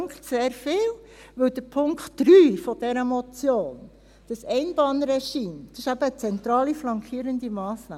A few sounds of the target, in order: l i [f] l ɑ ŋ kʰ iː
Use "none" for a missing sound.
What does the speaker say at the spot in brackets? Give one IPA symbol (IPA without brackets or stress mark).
f